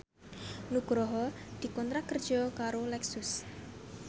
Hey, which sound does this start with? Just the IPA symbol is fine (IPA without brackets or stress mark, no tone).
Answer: n